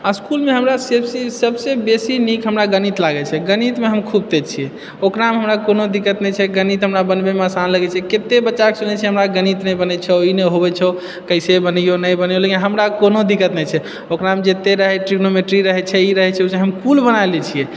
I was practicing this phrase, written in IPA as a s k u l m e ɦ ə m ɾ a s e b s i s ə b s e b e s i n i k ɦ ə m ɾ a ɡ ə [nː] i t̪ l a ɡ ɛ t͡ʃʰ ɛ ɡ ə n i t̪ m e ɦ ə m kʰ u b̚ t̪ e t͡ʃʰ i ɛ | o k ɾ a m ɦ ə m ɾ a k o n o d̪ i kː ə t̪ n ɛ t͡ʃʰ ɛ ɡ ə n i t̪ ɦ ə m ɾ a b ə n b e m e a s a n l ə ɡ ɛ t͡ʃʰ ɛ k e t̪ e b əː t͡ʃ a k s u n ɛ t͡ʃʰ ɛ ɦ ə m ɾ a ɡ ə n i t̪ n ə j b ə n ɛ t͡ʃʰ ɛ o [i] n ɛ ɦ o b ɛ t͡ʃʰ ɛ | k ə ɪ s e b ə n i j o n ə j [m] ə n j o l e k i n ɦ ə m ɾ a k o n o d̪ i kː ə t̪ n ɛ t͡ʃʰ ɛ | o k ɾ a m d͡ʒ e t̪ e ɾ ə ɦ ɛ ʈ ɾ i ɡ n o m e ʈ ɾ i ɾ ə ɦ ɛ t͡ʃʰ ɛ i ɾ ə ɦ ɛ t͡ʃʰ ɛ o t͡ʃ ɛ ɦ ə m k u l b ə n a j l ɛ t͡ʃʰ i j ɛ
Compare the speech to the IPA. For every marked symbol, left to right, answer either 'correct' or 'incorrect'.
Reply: incorrect, correct, incorrect

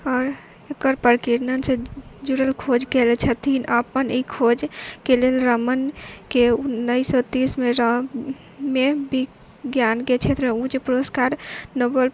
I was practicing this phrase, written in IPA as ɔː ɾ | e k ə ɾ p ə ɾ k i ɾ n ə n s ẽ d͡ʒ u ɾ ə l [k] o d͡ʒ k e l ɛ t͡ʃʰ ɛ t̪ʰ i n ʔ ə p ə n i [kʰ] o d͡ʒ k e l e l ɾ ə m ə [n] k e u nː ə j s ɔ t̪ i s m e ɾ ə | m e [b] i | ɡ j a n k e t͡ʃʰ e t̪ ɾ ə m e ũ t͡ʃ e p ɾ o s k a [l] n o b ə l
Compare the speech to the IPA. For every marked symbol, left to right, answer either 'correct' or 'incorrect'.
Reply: incorrect, correct, correct, correct, incorrect

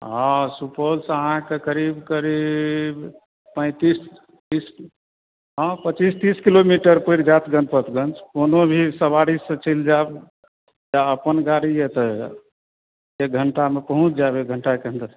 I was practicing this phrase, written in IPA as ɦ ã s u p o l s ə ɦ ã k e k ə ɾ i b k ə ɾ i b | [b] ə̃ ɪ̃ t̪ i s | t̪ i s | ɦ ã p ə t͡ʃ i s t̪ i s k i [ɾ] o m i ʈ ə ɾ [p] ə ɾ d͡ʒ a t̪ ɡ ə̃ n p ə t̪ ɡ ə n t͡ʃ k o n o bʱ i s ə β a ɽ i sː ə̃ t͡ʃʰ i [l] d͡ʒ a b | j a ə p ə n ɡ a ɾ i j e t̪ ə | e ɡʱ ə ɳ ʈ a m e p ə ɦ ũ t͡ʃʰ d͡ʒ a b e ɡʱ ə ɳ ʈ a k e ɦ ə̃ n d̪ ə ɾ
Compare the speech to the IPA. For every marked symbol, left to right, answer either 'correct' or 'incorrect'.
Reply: incorrect, incorrect, correct, correct

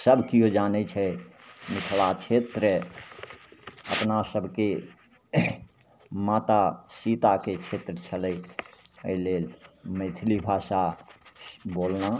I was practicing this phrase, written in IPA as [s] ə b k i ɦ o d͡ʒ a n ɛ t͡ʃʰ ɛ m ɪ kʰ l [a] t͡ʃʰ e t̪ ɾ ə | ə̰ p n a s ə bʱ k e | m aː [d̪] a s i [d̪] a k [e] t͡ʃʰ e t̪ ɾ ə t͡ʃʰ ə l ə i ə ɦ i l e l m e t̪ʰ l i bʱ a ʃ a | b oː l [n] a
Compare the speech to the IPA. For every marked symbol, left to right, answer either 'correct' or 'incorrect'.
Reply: correct, correct, incorrect, incorrect, correct, correct

